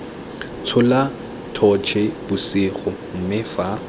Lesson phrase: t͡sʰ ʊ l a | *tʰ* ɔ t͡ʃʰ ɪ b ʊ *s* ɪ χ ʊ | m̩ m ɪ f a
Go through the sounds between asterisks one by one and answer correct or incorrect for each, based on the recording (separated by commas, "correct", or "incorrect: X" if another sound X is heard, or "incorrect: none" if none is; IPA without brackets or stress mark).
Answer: correct, correct